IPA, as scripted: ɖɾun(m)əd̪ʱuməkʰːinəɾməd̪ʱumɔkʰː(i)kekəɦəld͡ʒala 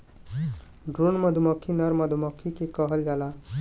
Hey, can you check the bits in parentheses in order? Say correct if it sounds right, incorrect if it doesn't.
correct, correct

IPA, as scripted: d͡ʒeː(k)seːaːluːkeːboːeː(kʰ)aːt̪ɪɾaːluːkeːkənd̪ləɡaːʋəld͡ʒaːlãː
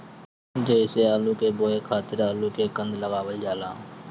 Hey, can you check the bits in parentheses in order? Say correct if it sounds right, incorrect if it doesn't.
incorrect, correct

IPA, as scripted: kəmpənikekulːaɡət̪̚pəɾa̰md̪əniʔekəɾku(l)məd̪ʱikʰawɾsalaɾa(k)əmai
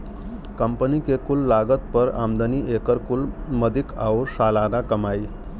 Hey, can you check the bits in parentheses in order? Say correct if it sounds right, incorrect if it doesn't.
correct, correct

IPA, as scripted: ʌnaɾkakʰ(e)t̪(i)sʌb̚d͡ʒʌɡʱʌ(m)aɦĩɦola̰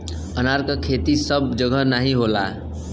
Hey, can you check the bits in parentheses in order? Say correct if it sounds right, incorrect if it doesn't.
correct, correct, incorrect

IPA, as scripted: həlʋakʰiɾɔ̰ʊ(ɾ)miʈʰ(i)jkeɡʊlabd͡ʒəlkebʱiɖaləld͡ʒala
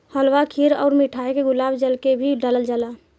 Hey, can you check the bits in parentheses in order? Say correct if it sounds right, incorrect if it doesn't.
correct, incorrect

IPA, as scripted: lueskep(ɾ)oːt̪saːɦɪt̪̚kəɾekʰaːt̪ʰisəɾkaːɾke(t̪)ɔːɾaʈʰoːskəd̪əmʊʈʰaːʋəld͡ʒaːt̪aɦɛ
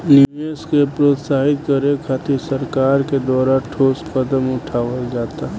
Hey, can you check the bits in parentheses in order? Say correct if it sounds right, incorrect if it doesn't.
correct, incorrect

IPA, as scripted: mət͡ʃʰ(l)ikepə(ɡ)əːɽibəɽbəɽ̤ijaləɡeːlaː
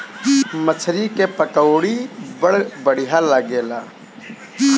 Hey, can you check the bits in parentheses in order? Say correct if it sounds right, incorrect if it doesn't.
incorrect, incorrect

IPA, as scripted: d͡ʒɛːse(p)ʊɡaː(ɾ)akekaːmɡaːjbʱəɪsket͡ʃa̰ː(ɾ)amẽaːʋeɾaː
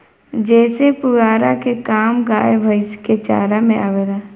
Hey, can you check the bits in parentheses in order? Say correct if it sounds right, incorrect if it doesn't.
correct, correct, correct

